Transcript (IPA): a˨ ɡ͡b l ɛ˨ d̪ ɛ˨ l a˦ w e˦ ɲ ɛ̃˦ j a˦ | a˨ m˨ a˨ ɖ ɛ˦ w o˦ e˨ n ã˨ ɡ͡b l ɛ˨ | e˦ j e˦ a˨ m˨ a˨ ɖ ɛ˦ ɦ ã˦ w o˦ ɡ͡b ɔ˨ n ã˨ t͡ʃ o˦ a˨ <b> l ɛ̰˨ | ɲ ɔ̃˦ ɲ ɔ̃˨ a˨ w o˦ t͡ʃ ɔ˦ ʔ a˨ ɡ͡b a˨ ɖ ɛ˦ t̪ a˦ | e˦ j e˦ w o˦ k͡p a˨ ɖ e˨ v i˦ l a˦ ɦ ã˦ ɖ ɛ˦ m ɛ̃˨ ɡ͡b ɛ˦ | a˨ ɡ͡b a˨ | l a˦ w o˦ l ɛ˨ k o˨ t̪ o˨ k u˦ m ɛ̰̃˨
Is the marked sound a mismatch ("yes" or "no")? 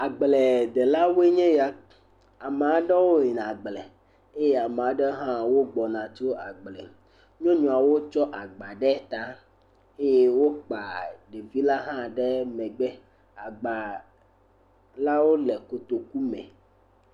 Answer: yes